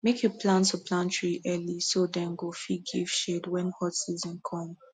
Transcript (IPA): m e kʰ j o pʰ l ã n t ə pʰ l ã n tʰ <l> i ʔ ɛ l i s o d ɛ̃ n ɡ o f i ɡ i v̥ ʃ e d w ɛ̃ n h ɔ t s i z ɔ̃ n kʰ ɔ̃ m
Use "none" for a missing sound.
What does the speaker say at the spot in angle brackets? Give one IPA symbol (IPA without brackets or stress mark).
ɹ